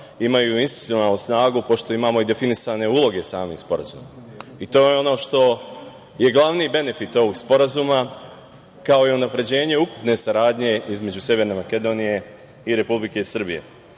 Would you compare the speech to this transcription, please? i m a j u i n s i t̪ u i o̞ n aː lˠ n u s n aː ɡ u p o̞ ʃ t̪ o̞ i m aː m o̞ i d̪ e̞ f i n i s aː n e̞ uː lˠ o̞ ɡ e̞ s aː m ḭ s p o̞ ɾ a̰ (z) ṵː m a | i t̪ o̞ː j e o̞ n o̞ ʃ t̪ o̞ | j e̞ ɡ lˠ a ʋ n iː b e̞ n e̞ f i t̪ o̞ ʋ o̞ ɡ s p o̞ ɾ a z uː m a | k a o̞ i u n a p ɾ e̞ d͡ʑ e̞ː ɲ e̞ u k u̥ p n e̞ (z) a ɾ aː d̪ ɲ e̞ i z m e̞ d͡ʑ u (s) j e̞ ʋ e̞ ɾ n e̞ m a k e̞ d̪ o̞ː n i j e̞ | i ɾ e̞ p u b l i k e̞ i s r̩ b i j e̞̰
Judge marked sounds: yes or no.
yes, no, yes

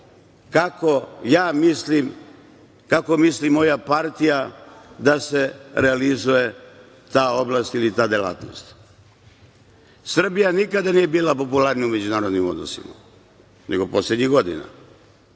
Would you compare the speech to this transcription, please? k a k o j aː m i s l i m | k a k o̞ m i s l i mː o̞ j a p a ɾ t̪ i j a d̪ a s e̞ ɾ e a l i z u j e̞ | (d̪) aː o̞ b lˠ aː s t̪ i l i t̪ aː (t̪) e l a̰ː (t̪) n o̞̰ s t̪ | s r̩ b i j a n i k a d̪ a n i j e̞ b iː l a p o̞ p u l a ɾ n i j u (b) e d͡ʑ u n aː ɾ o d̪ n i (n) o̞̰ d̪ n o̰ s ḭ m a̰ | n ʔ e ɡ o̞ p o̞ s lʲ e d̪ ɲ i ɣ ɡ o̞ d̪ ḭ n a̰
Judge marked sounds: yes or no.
no, no, yes, no, no

